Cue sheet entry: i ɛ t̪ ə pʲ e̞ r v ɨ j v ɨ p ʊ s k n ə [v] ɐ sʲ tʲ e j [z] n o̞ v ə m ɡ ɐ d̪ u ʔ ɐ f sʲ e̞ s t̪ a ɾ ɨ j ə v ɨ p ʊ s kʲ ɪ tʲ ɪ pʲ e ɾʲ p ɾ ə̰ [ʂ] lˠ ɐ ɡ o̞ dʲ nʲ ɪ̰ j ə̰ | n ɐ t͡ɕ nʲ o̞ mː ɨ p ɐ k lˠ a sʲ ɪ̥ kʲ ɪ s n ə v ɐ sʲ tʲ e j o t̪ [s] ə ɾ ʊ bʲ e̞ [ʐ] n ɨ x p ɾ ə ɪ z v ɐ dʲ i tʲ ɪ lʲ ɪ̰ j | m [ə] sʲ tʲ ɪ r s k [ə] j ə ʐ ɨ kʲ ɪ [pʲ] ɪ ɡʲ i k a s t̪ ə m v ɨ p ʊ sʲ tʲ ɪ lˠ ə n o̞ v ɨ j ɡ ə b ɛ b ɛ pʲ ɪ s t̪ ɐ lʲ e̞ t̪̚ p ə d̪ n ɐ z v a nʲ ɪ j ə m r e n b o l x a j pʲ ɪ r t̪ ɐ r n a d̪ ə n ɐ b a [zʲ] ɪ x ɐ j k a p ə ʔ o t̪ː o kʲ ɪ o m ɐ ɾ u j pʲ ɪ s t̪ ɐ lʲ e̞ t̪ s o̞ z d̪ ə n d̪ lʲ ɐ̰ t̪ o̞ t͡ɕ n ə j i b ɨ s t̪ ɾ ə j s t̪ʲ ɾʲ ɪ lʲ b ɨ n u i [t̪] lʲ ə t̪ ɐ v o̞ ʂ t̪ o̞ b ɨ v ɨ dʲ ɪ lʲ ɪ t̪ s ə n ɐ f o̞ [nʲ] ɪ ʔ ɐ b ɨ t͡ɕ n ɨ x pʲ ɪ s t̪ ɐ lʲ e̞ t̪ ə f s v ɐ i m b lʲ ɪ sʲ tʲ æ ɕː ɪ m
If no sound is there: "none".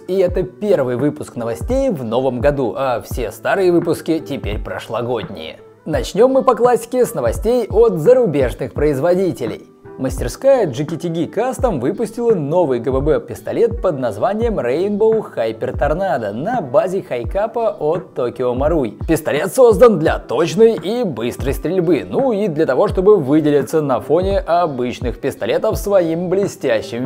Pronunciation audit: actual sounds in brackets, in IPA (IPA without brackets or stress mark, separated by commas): v, v, ʂ, z, ʐ, ə, a, tʲ, zʲ, d̪, nʲ